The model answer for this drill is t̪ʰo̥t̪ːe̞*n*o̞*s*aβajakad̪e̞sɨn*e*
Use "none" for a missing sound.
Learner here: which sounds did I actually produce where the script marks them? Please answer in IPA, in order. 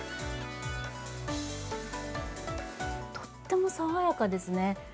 m, s, e

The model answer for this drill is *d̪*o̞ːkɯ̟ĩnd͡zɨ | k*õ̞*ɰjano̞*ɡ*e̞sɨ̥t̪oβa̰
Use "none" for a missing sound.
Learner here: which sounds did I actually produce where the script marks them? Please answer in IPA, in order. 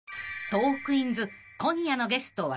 t̪, õ̞, ɡ

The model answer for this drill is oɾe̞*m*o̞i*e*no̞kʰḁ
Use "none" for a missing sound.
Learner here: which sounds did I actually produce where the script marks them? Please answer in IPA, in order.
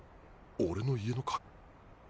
n, e

